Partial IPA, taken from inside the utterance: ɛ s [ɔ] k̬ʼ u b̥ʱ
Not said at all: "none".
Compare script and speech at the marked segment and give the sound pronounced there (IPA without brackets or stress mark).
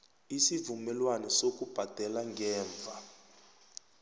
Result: o